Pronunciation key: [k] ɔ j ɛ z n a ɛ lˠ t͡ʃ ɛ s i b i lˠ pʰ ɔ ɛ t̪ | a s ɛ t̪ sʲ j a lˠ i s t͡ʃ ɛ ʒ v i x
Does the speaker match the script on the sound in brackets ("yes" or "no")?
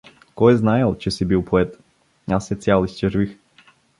yes